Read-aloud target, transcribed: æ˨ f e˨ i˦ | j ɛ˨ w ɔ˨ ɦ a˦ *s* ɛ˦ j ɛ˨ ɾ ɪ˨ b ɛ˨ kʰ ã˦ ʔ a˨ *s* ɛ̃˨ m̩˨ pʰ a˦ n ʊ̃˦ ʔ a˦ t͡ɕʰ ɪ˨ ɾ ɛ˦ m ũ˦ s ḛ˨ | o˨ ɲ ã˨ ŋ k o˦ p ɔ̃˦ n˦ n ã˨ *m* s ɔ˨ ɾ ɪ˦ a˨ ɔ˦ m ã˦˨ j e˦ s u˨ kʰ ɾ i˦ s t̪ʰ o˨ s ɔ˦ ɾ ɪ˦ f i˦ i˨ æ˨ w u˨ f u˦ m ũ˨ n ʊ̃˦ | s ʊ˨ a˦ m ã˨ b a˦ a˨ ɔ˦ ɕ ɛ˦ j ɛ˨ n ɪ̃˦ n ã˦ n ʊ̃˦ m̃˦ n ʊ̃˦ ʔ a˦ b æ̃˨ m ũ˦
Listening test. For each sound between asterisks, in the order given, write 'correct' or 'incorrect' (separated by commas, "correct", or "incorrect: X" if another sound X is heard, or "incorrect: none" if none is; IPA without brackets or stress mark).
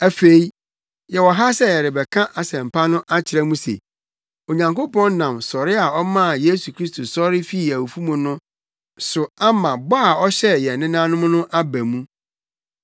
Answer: correct, correct, correct